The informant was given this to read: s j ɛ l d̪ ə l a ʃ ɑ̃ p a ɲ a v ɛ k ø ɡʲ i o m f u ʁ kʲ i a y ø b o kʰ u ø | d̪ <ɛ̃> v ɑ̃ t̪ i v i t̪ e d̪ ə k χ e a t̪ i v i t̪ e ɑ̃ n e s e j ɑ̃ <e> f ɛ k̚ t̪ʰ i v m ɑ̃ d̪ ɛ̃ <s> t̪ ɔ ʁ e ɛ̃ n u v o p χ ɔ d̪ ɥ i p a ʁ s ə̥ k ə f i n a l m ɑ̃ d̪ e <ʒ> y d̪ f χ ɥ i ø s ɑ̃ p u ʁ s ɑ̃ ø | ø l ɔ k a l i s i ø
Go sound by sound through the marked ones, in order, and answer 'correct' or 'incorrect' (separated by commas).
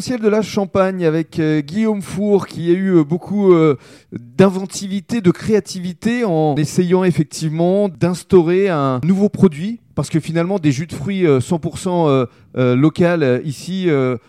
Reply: correct, correct, correct, correct